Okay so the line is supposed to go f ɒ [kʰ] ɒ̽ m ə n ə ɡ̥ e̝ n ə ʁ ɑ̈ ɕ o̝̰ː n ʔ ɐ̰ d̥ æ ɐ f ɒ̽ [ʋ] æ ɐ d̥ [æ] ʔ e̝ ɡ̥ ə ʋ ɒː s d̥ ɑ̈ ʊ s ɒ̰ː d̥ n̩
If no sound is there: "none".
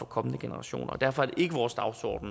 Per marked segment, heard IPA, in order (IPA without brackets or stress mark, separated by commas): kʰ, none, e